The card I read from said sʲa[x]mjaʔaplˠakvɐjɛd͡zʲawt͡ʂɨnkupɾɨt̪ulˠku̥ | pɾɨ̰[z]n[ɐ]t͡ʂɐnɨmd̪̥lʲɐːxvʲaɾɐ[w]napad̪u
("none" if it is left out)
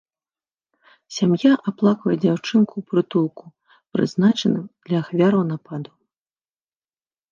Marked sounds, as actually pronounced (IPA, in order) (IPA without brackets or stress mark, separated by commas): none, z, a, w